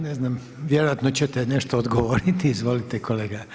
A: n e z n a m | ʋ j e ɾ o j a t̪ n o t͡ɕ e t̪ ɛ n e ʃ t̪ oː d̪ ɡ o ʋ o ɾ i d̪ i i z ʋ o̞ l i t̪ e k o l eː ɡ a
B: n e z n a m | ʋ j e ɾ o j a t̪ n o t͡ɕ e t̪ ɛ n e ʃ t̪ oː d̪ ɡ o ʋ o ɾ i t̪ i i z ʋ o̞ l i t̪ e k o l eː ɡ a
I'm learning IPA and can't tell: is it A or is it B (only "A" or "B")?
B